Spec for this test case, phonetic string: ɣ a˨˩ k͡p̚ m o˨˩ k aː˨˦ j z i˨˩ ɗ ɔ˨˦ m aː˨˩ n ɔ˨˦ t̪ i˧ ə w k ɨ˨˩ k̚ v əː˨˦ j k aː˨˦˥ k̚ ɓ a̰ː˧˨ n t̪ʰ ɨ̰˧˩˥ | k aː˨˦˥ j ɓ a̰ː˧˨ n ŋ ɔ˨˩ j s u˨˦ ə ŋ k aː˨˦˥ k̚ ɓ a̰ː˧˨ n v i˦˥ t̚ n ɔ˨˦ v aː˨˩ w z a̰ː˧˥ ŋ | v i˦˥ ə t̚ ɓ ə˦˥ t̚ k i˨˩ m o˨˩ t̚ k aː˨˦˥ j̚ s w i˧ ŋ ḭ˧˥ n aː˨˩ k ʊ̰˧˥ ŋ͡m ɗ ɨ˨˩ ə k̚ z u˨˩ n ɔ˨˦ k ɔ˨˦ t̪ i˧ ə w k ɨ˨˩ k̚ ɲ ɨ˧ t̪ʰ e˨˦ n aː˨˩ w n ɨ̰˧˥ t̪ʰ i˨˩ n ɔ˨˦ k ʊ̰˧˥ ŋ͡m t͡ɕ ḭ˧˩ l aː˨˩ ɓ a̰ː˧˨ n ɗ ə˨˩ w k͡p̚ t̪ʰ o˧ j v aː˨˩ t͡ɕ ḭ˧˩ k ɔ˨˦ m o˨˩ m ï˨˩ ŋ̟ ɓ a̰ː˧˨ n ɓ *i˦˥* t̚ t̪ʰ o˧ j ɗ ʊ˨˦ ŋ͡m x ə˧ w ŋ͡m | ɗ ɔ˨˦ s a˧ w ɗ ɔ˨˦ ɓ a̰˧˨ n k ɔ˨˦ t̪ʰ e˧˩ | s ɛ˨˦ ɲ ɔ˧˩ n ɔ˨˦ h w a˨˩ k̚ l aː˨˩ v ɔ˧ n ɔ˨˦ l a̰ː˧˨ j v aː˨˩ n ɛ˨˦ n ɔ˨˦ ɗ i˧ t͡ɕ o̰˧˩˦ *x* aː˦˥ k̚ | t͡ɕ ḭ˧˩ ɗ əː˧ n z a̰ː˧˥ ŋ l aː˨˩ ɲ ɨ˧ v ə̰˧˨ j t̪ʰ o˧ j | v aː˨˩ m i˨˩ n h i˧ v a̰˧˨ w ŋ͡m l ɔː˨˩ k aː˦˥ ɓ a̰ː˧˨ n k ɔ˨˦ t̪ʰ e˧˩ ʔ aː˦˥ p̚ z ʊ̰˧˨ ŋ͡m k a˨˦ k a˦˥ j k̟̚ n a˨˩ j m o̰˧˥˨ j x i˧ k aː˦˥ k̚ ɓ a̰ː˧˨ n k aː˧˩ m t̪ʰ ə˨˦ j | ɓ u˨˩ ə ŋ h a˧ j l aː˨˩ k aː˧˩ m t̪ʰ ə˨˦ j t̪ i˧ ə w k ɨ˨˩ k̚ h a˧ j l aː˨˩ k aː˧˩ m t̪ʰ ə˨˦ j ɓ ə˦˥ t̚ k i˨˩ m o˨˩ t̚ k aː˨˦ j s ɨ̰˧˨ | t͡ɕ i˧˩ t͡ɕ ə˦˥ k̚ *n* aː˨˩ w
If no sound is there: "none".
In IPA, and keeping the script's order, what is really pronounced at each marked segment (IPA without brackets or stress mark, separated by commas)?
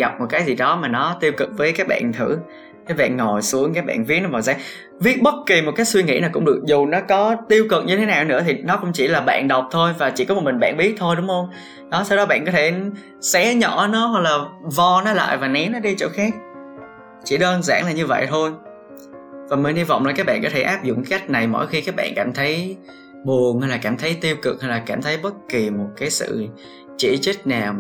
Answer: i˦˥, x, n